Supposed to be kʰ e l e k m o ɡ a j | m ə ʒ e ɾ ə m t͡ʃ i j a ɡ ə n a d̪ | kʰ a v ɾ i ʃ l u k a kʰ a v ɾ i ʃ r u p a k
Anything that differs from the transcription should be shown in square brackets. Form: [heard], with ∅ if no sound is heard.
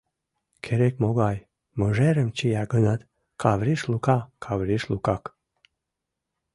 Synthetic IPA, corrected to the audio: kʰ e [ɾ] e k m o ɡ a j | m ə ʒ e ɾ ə m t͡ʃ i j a ɡ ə n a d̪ | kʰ a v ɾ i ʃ l u k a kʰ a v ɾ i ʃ [l] u [k] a k

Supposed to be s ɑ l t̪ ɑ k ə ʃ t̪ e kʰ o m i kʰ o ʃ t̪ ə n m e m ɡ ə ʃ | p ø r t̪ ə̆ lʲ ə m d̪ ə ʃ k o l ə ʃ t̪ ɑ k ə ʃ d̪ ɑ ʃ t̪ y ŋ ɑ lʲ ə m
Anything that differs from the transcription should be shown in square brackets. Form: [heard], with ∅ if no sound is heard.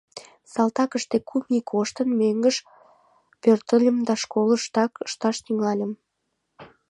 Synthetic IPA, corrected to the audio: s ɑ l t̪ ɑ k ə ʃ t̪ e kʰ [u] m i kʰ o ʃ t̪ ə n m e [ŋ] ɡ ə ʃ | p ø r t̪ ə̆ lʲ ə m d̪ [ɑ] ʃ k o l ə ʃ t̪ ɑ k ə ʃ [t̪] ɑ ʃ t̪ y ŋ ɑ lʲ ə m

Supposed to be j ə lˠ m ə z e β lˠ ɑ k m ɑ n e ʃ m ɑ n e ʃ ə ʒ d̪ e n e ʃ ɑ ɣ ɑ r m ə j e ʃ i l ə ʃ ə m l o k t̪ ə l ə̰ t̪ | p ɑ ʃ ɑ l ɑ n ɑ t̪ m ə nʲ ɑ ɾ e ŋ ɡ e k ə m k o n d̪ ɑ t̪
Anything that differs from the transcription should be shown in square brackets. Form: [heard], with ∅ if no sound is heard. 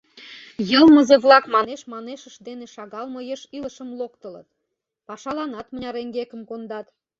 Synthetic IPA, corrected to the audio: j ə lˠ m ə z e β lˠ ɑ k m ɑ n e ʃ m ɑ n e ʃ ə [ʃ] d̪ e n e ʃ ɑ ɣ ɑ [l] m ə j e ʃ i l ə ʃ ə m l o k t̪ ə l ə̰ t̪ | p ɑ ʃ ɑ l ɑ n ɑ t̪ m ə nʲ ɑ ɾ e ŋ ɡ e k ə m k o n d̪ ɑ t̪

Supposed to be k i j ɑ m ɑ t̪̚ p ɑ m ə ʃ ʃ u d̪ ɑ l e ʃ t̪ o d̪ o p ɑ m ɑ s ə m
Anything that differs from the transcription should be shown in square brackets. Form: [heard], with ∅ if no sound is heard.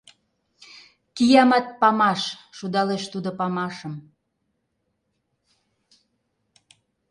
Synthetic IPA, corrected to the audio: k i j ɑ m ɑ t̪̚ p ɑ m [ɑ] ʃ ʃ u d̪ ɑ l e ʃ t̪ [u] d̪ o p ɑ m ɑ [ʃ] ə m

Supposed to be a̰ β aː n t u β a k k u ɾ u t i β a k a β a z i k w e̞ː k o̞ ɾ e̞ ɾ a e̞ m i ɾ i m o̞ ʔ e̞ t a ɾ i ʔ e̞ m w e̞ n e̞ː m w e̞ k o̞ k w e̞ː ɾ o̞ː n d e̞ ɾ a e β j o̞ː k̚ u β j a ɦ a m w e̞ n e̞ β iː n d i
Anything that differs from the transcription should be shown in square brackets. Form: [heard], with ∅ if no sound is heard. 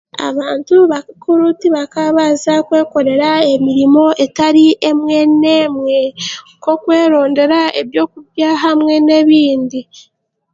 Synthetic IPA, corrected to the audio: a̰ β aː n t u β a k k u ɾ u t i β a k a β a z [a] k w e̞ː k o̞ ɾ e̞ ɾ a e̞ m i ɾ i m o̞ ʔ e̞ t a ɾ i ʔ e̞ m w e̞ n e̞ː m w e̞ k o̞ k w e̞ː ɾ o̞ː n d e̞ ɾ a e β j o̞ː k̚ u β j a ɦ a m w e̞ n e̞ β iː n d i

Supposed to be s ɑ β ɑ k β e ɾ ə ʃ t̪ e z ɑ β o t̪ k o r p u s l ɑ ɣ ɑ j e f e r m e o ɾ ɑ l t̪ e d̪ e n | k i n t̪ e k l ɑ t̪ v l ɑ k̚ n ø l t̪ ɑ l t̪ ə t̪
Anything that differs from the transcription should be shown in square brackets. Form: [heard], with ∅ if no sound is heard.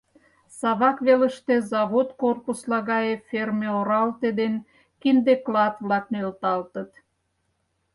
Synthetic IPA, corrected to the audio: s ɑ β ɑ k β e [l] ə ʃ t̪ e z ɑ β o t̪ k o r p u s l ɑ ɣ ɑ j e f e r m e o ɾ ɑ l t̪ e d̪ e n | k i n [d̪] e k l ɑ t̪ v l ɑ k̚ n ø l t̪ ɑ l t̪ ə t̪

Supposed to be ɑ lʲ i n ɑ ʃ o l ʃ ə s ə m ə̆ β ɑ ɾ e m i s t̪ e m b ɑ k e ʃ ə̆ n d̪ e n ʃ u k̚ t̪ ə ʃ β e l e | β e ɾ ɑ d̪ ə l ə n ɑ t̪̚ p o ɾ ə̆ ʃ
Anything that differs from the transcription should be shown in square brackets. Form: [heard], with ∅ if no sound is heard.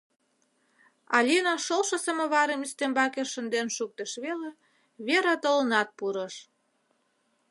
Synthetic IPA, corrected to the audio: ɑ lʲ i n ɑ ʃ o l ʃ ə s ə m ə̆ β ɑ ɾ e m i s t̪ e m b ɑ k e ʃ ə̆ n d̪ e n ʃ u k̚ t̪ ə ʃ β e l e | β e ɾ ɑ [t̪] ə l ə n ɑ t̪̚ p [u] ɾ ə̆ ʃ

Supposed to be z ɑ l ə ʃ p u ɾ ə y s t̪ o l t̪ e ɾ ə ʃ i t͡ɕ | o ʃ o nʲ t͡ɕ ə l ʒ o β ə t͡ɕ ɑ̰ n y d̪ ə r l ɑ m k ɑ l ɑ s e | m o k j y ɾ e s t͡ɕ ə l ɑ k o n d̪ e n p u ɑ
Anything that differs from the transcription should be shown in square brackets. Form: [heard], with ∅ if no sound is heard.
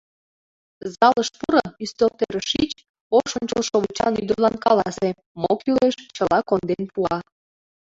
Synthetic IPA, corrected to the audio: z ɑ l ə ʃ p u ɾ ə y s t̪ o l t̪ e ɾ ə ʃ i t͡ɕ | o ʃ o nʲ t͡ɕ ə l [ʃ] o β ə t͡ɕ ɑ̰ n y d̪ ə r l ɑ [n] k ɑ l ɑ s e | m o k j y [l] e [ʃ] t͡ɕ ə l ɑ k o n d̪ e n p u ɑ

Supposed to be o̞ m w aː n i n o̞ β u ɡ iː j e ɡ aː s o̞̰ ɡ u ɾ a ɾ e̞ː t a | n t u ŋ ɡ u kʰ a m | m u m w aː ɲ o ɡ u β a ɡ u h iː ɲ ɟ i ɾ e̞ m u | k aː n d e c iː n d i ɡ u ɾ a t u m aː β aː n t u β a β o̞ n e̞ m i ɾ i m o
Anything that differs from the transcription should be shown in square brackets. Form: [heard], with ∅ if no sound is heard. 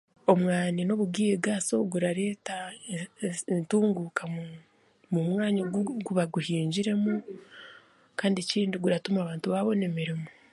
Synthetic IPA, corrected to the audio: o̞ m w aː n i n o̞ β u ɡ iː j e ɡ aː s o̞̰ ɡ u ɾ a ɾ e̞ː t a | n t [uː] ŋ ɡ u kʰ a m | m u m w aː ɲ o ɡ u β a ɡ u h iː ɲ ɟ i ɾ e̞ m u | k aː n d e c iː n d i ɡ u ɾ a t u m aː β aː n t u β a β o̞ n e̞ m i ɾ i m o

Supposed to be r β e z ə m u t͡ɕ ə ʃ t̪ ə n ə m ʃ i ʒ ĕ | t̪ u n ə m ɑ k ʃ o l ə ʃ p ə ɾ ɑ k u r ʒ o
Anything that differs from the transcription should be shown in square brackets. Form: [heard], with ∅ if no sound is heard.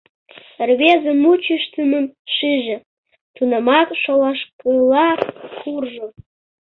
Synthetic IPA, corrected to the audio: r β e z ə m u t͡ɕ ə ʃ t̪ ə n ə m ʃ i ʒ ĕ | t̪ u n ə m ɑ k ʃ o l [ɑ] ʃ [k] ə [l] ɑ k u r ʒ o

